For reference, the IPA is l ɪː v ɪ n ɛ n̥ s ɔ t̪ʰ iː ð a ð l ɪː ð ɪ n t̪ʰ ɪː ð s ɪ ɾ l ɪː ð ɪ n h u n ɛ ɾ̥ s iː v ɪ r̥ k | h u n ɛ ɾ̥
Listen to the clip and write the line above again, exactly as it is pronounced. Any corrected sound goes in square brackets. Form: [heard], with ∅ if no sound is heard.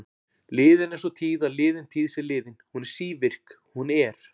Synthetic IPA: l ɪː [ð] ɪ n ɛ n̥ s ɔ t̪ʰ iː ð a ð l ɪː ð ɪ n t̪ʰ [iː] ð s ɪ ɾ l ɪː ð ɪ n h u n ɛ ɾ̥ s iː v ɪ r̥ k | h u n ɛ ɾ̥